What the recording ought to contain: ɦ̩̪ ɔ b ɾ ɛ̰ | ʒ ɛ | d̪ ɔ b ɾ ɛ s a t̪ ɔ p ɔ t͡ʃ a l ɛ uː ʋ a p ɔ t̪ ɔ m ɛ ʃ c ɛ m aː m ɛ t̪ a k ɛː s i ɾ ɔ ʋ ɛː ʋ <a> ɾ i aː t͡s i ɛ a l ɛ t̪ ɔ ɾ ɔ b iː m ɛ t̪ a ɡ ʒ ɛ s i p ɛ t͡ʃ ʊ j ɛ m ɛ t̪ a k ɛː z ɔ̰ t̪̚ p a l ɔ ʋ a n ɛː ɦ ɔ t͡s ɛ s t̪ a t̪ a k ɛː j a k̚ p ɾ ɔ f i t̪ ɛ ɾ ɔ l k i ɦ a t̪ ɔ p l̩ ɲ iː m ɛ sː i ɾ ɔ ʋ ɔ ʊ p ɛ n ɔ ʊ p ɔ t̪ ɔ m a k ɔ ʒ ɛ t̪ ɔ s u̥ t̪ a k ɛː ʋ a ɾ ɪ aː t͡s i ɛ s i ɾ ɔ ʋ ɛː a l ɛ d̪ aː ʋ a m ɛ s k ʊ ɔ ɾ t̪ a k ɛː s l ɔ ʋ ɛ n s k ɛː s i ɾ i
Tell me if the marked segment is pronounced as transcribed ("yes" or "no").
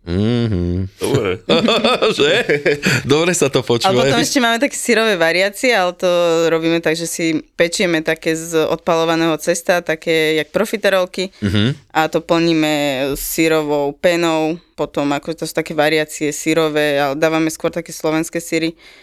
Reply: yes